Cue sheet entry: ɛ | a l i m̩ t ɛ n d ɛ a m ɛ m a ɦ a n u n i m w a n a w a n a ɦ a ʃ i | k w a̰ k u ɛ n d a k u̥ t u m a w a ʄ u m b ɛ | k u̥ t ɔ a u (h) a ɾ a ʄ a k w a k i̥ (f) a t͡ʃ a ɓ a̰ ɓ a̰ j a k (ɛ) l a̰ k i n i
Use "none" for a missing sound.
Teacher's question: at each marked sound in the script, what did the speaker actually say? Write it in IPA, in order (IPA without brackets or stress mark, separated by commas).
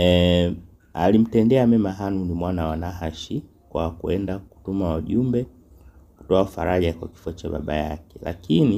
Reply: f, f, ɛ